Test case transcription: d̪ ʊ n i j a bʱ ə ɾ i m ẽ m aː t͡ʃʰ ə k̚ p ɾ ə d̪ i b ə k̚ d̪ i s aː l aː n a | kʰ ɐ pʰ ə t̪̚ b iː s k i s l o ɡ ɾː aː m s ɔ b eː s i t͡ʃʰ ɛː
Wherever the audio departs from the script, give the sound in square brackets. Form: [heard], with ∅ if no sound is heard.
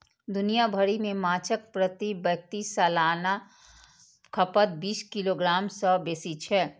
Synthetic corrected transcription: d̪ ʊ n i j a bʱ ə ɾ i m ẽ m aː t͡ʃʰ ə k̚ p ɾ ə [t̪] i b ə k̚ [t̪] i s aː l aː n a | kʰ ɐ [p] ə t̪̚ b iː s k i [∅] l o ɡ [ɾ] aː m s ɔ b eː s i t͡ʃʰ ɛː